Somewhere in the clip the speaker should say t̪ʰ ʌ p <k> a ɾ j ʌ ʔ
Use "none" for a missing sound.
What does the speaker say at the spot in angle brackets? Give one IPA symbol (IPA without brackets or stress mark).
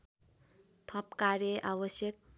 k